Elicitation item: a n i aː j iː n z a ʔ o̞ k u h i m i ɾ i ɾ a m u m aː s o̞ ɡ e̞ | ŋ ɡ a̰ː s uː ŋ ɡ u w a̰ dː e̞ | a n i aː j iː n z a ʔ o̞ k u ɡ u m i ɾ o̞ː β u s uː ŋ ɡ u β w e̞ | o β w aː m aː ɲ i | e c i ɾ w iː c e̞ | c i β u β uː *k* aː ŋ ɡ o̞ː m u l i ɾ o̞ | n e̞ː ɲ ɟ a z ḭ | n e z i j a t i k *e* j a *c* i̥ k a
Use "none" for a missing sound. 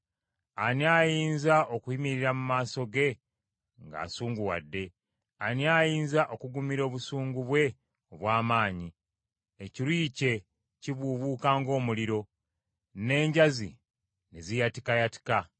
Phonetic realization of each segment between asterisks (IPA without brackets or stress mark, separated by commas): k, a, t